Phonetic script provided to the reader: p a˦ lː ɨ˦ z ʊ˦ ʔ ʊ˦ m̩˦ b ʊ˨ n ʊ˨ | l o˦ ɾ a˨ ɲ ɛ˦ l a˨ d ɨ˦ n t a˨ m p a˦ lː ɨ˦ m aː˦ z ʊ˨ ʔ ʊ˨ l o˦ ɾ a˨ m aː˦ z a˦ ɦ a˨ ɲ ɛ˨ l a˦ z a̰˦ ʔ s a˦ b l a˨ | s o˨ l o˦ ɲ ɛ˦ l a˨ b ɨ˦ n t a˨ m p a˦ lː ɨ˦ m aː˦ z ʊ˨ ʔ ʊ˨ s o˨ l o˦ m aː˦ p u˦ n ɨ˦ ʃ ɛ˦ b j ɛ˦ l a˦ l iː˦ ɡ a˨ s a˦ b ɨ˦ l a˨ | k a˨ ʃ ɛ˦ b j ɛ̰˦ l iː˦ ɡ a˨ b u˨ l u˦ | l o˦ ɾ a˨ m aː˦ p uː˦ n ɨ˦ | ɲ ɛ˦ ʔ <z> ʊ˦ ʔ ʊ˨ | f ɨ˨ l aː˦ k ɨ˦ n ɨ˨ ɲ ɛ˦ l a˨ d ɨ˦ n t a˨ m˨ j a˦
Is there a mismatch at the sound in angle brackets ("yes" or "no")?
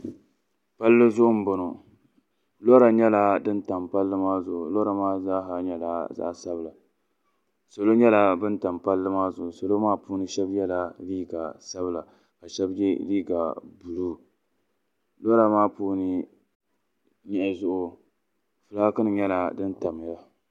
no